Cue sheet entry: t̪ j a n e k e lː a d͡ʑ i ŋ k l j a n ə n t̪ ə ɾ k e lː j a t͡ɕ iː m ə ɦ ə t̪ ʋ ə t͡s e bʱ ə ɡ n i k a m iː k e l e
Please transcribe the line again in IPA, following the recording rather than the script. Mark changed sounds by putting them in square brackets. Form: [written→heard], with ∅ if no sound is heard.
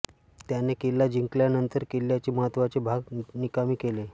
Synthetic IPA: t̪ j a n e k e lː a d͡ʑ i ŋ k l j a n ə n t̪ ə ɾ k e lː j a t͡ɕ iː m ə ɦ ə t̪ ʋ [ə→a] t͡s e bʱ [ə→a] ɡ n i k a m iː k e l e